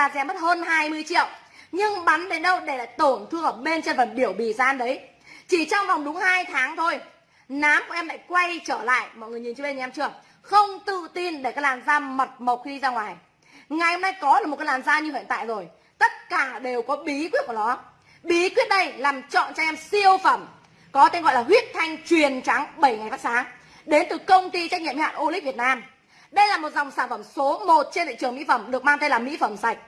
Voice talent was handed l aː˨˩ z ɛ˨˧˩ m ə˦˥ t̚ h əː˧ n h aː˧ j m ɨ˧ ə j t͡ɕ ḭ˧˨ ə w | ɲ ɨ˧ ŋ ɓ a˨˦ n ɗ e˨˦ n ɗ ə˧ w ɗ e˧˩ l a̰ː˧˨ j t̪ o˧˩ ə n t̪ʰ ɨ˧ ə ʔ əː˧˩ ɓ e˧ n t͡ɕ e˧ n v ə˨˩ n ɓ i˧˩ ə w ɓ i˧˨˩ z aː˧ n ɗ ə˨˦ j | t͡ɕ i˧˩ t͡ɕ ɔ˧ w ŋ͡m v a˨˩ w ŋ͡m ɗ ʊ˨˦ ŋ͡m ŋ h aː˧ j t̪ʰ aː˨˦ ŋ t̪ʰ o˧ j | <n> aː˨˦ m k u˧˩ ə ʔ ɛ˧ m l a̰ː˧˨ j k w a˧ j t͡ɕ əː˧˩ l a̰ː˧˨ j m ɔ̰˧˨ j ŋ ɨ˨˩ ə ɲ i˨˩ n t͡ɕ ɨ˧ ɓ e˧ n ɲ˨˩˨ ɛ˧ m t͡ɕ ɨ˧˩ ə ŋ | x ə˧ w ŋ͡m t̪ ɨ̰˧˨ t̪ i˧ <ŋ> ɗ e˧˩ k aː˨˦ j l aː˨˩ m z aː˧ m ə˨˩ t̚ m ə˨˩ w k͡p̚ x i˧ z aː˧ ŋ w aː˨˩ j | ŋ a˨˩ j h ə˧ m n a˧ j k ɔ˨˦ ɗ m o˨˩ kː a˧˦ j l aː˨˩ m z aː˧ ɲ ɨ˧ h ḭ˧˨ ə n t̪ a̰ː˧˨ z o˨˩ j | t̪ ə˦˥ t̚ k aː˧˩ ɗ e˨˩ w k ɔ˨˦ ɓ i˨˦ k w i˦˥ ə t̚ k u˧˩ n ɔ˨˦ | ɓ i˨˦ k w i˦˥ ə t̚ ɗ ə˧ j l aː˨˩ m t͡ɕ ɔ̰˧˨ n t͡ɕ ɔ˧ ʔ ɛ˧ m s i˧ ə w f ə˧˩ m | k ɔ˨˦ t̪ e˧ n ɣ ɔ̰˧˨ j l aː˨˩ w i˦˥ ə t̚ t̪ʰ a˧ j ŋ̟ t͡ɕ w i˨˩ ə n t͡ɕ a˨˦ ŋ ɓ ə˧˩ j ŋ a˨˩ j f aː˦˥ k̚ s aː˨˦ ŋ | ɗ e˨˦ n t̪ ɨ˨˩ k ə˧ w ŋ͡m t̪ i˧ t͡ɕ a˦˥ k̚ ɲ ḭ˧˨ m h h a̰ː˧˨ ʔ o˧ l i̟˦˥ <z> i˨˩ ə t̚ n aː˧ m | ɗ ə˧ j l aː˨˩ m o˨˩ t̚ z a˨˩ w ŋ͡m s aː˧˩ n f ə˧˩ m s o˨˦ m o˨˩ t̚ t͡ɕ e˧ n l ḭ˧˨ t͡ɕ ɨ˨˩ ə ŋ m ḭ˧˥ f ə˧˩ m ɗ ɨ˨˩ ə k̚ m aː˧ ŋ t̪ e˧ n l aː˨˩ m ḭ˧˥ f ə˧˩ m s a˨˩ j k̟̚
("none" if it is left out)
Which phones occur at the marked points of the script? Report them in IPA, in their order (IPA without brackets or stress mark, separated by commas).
n, n, v